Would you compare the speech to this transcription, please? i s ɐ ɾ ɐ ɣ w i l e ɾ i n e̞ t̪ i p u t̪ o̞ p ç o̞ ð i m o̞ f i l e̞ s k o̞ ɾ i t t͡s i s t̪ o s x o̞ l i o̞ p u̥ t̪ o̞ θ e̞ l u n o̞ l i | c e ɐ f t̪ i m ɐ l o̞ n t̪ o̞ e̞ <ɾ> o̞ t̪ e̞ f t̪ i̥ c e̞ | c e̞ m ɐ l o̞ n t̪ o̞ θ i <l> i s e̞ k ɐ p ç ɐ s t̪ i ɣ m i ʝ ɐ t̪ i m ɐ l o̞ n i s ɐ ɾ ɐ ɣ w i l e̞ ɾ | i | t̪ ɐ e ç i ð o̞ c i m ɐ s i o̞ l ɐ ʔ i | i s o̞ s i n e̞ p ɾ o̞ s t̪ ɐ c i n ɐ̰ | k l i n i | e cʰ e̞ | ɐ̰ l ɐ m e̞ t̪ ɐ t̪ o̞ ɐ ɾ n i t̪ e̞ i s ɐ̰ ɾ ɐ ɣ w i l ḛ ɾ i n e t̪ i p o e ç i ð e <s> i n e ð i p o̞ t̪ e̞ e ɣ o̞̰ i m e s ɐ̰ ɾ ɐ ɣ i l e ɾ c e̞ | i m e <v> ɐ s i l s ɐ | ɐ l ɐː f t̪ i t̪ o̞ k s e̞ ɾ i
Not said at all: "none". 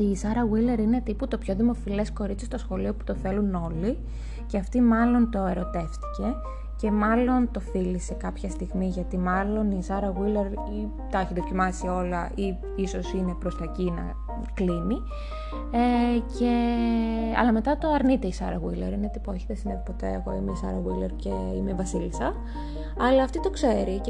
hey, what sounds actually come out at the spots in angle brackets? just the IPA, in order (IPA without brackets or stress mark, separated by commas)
ɾ, l, s, v